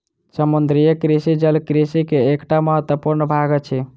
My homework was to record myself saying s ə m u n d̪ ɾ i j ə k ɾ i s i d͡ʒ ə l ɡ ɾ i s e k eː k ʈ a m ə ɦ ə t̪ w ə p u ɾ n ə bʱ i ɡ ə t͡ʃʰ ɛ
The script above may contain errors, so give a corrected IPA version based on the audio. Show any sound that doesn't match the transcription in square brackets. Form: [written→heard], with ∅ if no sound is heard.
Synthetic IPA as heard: s ə m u n d̪ ɾ i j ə k ɾ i s i d͡ʒ ə l [ɡ→k] ɾ i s [e→i] k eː k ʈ a m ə ɦ ə t̪ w ə p u ɾ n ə bʱ [i→a] ɡ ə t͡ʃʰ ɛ